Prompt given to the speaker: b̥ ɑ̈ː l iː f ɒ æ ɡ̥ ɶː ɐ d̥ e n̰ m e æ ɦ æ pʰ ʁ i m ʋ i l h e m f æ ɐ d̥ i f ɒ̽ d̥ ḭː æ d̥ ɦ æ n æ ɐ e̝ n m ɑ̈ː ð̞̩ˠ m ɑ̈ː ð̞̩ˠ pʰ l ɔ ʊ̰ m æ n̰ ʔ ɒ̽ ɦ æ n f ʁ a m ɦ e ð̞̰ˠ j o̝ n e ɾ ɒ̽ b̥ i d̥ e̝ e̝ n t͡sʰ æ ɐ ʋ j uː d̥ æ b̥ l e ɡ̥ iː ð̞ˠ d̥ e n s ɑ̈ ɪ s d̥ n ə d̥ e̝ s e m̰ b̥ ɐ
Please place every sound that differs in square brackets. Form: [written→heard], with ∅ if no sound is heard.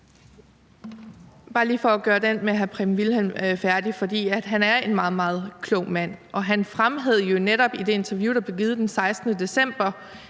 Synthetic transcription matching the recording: b̥ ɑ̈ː l iː f ɒ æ ɡ̥ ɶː ɐ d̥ e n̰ m e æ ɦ æ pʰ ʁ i m ʋ i l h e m f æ ɐ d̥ i f ɒ̽ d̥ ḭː æ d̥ ɦ æ n æ ɐ e̝ n m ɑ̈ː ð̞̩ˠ m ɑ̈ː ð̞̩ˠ [pʰ→kʰ] l ɔ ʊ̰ m æ n̰ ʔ ɒ̽ ɦ æ n f ʁ a m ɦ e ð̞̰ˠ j o̝ n e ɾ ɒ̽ b̥ i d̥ e̝ e̝ n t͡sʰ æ ɐ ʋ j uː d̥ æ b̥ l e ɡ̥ iː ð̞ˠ d̥ e n s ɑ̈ ɪ s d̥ n ə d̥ e̝ s e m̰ b̥ ɐ